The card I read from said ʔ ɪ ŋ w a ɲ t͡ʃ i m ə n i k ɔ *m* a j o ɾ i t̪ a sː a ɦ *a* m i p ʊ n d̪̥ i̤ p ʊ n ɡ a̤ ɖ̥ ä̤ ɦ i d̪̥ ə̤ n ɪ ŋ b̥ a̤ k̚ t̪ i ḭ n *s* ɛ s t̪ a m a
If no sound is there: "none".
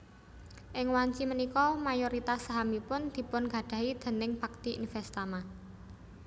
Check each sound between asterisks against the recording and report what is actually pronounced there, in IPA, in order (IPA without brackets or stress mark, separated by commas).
m, a, f